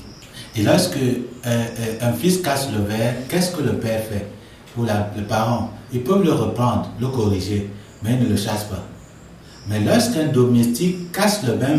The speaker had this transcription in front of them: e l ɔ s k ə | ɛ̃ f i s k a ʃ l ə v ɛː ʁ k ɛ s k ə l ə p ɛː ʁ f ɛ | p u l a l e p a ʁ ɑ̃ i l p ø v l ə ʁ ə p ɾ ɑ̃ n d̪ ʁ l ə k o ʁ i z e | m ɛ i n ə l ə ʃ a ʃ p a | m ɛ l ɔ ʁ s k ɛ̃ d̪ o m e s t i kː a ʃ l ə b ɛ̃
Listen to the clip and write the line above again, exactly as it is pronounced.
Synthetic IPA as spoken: e l ɔ s k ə | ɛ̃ f i s k a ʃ l ə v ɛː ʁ k ɛ s k ə l ə p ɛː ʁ f ɛ | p u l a l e p a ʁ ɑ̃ i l p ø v l ə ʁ ə p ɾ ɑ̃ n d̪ ʁ l ə k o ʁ i ʒ e | m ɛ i n ə l ə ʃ a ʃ p a | m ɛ l ɔ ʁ s k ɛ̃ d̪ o m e s t i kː a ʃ l ə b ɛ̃